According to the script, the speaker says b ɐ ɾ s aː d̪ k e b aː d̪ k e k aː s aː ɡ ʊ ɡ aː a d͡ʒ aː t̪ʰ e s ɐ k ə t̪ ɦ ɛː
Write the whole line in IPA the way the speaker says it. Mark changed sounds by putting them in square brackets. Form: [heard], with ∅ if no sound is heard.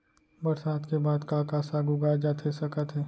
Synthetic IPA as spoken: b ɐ ɾ s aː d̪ k e b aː d̪ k [a] k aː s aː ɡ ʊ ɡ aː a d͡ʒ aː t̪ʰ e s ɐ k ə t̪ ɦ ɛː